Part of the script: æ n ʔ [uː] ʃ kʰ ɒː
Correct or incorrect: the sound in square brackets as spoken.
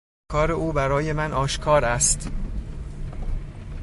incorrect: ɒː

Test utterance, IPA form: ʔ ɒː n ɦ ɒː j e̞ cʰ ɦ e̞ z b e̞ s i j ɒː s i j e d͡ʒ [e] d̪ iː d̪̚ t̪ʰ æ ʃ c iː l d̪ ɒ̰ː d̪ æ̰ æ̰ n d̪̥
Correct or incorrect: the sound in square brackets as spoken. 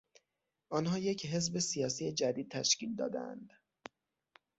incorrect: æ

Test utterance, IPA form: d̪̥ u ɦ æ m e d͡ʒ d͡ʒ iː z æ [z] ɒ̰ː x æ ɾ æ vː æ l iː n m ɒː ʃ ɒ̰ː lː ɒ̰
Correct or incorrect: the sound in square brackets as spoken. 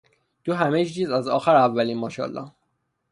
correct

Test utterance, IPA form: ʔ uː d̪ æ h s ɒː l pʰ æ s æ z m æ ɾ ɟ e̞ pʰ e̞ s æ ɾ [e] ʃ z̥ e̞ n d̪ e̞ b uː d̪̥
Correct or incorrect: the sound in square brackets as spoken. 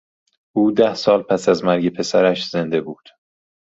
incorrect: æ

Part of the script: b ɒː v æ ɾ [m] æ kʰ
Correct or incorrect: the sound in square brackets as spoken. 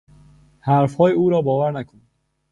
incorrect: n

